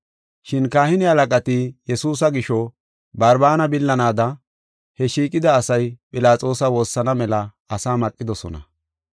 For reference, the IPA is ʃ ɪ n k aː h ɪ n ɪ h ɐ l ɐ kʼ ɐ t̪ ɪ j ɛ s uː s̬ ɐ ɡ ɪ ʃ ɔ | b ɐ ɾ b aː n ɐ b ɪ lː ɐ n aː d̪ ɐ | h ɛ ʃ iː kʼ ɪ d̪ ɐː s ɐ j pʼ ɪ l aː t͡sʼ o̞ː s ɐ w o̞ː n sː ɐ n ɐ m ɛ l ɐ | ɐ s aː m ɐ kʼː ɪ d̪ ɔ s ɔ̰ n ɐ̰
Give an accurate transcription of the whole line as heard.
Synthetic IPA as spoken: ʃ ɪ n k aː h ɪ n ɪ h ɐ l ɐ kʼ ɐ t̪ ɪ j ɛ s uː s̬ ɐ ɡ ɪ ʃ ɔ | b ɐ ɾ b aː n ɐ b ɪ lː ɐ n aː d̪ ɐ | h ɛ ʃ iː kʼ ɪ d̪ ɐː s ɐ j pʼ ɪ l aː t͡sʼ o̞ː s ɐ w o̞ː sː ɐ n ɐ m ɛ l ɐ | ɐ s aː m ɐ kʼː ɪ d̪ ɔ s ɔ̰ n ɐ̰